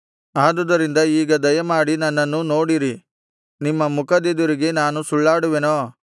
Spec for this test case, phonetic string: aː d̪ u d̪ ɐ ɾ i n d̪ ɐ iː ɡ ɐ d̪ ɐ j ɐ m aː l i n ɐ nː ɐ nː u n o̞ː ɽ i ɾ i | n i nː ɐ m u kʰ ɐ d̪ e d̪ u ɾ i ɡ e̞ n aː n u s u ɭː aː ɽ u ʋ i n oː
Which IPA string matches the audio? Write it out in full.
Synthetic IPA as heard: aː d̪ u d̪ ɐ ɾ i n d̪ ɐ iː ɡ ɐ d̪ ɐ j ɐ m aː ɽ i n ɐ nː ɐ nː u n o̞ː ɽ i ɾ i | n i mː ɐ m u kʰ ɐ d̪ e d̪ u ɾ i ɡ e̞ n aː n u s u ɭː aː ɽ u ʋ e n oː